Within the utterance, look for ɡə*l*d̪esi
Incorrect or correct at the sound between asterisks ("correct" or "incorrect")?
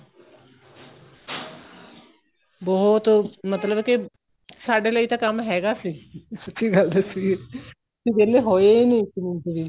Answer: correct